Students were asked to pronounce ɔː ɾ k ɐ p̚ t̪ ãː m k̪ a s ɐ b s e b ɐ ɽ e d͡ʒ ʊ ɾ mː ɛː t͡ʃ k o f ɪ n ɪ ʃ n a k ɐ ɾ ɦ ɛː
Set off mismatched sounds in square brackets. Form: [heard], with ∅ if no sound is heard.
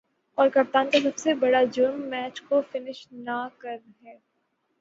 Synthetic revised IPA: ɔː ɾ k ɐ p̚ t̪ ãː [n] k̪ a s ɐ b s e b ɐ ɽ [a] d͡ʒ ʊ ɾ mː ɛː t͡ʃ k o f ɪ n ɪ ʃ n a k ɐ ɾ ɦ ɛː